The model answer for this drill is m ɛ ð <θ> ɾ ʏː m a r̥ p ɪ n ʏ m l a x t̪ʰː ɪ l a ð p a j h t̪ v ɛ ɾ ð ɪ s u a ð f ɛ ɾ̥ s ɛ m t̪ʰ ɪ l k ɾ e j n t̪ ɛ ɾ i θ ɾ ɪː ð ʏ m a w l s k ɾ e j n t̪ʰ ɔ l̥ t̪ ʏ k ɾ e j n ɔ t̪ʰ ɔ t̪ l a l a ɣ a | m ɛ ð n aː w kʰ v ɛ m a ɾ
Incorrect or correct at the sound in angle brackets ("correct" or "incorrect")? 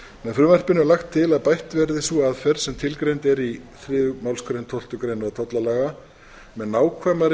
incorrect